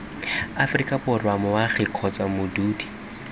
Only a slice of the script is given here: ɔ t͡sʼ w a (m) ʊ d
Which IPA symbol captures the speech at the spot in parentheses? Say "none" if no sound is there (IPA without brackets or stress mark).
m